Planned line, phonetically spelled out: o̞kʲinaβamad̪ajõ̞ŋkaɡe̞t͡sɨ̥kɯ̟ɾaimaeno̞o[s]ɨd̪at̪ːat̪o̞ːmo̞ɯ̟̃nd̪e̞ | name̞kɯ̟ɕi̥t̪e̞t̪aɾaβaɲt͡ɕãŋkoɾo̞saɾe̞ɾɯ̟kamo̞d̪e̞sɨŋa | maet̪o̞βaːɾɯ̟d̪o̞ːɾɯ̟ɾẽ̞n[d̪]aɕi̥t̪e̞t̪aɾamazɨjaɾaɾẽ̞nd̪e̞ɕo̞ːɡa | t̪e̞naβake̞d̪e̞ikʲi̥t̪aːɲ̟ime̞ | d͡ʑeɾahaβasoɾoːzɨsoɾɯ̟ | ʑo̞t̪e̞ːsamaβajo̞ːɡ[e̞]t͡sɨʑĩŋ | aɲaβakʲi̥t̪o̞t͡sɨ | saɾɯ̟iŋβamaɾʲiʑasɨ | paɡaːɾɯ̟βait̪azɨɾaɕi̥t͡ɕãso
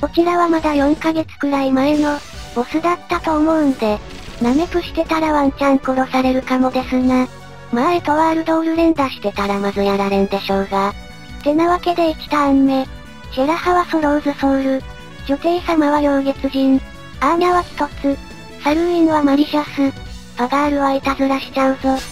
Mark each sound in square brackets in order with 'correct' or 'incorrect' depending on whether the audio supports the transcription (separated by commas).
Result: correct, correct, correct